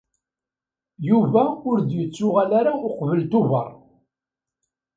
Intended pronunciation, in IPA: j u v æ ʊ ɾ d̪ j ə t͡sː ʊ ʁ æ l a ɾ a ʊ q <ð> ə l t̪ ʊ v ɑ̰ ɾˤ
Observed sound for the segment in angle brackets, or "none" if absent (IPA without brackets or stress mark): v